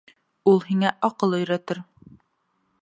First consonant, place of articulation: alveolar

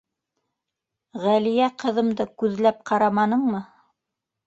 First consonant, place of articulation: uvular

